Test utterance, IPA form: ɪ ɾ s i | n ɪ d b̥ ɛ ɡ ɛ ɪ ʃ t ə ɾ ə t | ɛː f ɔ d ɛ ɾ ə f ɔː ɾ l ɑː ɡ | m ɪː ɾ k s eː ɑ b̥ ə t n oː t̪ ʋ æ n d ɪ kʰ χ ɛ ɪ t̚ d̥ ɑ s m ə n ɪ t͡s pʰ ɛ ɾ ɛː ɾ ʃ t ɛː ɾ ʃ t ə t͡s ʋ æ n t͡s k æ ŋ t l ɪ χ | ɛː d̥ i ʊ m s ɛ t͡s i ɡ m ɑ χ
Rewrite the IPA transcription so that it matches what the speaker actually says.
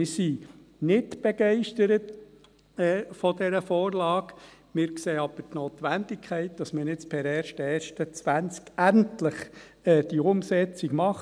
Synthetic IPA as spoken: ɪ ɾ s i | n ɪ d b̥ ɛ ɡ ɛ ɪ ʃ t ə ɾ ə t | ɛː f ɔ d ɛ ɾ ə f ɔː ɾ l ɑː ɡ | m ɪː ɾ k s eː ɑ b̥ ə t n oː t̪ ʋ æ n d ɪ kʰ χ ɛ ɪ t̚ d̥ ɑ s m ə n ɪ t͡s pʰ ɛ ɾ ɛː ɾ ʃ t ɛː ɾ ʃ t ə t͡s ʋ æ n t͡s k æ n t l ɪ χ | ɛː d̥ i ʊ m s ɛ t͡s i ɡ m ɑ χ